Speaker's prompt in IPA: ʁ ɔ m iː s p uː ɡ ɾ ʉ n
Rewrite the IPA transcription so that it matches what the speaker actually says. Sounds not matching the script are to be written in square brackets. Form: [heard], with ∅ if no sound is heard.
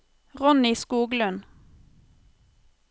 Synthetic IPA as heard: ʁ ɔ [n] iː s [k] uː ɡ [l] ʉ n